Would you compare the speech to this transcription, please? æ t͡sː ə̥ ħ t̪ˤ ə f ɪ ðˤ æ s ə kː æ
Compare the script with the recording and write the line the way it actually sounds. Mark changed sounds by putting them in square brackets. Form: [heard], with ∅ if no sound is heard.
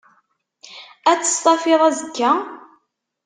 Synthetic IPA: æ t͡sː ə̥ [s] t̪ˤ [ɑ] f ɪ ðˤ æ [z] ə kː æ

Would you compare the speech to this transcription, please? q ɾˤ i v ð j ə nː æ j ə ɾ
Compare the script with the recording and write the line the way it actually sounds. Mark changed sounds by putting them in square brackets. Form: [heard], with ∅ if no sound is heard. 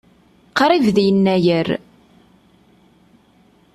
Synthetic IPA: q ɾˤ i v ð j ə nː æ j ə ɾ

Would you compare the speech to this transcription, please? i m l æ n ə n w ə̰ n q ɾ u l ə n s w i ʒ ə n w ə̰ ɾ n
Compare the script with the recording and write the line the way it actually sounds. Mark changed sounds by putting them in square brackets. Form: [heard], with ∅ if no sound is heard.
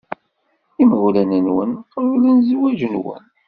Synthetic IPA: i m l æ n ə n w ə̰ n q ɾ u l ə n [z] w [æ] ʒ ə n w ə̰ [∅] n

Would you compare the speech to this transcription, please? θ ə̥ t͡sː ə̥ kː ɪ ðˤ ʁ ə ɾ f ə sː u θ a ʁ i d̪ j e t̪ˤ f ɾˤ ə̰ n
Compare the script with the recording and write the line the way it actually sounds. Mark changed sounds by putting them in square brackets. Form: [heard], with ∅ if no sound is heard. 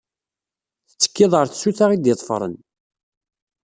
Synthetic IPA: θ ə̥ t͡sː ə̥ kː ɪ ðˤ ʁ ə ɾ [θ] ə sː u θ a ʁ i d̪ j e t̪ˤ f ɾˤ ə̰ n

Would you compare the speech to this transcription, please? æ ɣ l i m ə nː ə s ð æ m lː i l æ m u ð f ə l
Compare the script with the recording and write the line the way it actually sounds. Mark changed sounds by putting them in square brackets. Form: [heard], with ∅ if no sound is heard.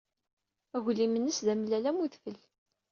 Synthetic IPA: æ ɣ l i m ə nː ə s ð æ m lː [æ] l æ m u ð f ə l

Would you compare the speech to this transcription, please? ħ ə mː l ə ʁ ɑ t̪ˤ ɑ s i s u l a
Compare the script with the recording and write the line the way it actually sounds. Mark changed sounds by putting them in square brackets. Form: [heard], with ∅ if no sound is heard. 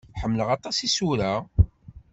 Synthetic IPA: ħ ə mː l ə ʁ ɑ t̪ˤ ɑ s i s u [ɾ] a

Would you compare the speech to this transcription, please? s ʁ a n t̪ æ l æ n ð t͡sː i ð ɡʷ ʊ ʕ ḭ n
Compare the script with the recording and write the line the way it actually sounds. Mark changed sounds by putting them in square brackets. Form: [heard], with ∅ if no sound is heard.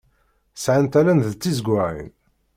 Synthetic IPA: s [ʕ] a n t̪ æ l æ n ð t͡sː i [z] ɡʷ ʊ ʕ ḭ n

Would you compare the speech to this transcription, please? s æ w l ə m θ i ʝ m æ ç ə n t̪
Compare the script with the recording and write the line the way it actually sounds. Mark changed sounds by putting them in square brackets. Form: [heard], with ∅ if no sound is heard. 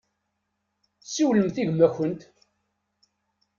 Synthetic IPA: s [i] w l ə m θ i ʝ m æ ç ə n t̪

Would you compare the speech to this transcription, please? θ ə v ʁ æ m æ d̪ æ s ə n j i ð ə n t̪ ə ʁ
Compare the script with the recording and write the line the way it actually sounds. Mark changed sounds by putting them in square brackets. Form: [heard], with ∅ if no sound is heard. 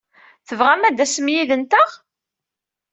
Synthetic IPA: θ ə v ʁ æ m æ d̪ æ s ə [m] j i ð ə n t̪ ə ʁ

